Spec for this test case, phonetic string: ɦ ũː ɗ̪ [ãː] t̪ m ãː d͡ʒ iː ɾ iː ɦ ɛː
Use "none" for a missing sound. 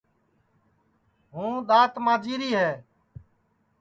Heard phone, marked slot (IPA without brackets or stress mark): aː